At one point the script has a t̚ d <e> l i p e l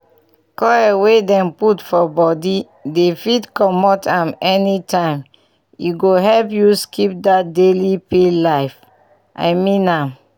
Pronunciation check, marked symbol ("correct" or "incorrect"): correct